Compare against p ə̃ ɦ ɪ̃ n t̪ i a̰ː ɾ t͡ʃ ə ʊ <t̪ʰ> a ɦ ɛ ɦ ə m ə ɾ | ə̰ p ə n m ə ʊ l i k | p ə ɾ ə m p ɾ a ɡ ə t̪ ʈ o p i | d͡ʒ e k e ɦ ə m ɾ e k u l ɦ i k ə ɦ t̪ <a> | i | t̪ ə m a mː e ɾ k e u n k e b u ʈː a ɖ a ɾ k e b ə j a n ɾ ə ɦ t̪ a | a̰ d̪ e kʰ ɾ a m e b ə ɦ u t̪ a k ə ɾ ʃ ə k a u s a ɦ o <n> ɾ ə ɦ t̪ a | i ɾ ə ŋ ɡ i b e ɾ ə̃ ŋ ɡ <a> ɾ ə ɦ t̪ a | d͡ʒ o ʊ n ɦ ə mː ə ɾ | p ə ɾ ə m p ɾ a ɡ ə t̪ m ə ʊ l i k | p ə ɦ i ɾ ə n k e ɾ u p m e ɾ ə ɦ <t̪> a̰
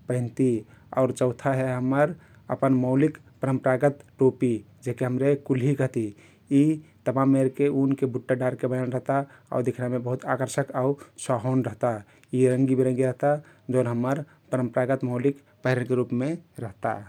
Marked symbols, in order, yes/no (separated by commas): yes, no, yes, no, yes